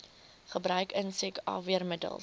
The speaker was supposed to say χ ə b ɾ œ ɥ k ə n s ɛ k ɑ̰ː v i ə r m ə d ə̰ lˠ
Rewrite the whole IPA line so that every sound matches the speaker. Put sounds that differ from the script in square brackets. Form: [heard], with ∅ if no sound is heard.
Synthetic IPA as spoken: χ ə b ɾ œ ɥ k ə n s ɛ k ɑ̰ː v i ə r m ə d ə̰ lˠ